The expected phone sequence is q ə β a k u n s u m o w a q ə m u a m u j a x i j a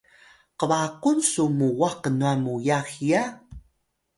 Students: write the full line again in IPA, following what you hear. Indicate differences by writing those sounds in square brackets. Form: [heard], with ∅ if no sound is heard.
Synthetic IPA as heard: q ə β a k u n s u m [u] w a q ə [n] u a m u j a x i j a